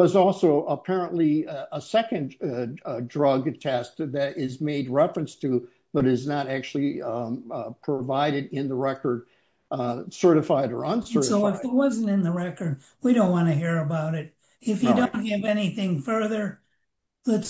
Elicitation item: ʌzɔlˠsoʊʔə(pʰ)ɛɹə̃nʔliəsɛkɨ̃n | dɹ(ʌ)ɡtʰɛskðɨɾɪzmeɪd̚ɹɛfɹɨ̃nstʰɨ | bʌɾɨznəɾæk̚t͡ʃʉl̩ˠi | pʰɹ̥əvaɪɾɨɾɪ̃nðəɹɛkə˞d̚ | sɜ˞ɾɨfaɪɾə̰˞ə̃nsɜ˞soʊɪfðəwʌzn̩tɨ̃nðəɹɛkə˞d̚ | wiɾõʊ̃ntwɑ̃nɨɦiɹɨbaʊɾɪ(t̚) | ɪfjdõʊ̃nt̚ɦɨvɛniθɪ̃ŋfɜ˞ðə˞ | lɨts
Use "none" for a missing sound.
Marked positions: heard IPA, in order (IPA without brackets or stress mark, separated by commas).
pʰ, ʌ, t̚